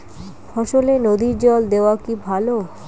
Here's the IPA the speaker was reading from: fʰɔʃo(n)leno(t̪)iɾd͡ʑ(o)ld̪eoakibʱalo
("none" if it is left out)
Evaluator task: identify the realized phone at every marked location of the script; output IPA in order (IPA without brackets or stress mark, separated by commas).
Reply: none, d̪, ɔ